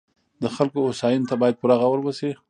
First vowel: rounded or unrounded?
unrounded